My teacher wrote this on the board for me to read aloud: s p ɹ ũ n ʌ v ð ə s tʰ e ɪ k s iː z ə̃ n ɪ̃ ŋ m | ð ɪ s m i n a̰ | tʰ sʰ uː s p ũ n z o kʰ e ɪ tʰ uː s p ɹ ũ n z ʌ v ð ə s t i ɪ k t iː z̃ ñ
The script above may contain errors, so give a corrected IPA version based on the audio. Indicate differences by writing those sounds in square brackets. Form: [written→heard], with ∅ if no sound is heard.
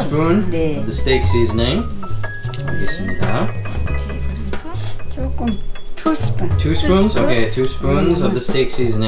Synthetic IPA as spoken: s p ɹ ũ n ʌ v ð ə s [tʰ→t] e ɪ k s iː z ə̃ n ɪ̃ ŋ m | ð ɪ s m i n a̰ | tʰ [sʰ→tʰ] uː s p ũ n z o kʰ e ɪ tʰ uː s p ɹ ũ n z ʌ v ð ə s t [i→e] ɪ k [t→s] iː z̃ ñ